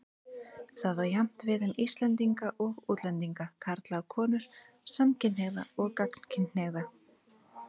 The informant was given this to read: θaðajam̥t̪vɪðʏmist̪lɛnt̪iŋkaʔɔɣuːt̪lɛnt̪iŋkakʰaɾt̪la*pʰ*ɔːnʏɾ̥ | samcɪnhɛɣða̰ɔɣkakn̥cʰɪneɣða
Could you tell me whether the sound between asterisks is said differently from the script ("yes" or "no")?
yes